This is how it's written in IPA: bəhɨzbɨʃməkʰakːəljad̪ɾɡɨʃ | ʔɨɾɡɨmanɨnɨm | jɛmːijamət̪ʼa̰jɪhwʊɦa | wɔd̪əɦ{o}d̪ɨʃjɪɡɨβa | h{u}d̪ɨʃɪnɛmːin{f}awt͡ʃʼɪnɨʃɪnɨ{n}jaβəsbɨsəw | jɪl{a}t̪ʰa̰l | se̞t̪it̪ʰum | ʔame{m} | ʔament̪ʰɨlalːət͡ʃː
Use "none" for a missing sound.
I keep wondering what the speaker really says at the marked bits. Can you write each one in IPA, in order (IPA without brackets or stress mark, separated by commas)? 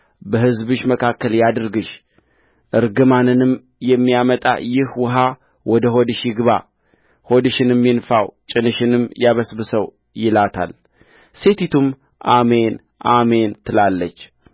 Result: o, o, f, m, a, n